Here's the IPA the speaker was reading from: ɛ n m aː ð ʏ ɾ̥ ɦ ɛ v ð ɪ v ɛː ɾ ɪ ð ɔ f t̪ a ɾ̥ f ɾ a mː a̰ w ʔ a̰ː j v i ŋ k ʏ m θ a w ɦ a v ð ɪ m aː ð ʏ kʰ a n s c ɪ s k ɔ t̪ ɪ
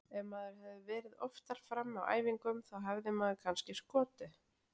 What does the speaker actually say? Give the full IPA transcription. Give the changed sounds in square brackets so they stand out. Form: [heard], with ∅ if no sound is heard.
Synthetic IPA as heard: ɛ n m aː ð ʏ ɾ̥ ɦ ɛ v ð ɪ v ɛː ɾ ɪ ð ɔ f t̪ a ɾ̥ f ɾ a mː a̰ w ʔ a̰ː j v i ŋ k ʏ m θ a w ɦ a v ð ɪ m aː ð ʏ kʰ a n s c ɪ s k [ɔː] t̪ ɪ